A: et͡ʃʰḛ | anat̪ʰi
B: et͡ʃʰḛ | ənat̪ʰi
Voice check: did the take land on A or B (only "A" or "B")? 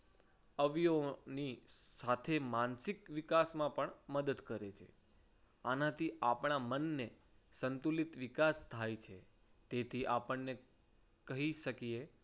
A